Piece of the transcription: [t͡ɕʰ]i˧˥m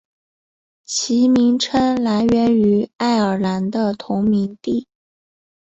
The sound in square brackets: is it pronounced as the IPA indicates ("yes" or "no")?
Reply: yes